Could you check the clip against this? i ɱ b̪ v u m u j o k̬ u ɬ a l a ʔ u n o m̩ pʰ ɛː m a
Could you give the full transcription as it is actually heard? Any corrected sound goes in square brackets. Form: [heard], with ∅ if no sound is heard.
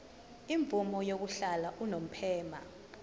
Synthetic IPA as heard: i ɱ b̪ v u m [ɔ] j o k̬ u ɬ a l a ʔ u n o m̩ pʰ ɛː m a